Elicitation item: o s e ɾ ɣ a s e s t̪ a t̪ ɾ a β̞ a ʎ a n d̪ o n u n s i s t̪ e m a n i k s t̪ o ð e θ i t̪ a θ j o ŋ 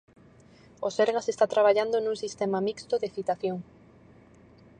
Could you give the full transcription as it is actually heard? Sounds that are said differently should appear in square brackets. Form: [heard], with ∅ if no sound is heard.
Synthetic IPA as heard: o s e ɾ ɣ a s e s t̪ a t̪ ɾ a β̞ a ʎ a n d̪ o n u [ŋ] s i s t̪ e m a [m] i k s t̪ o ð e θ i t̪ a θ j o ŋ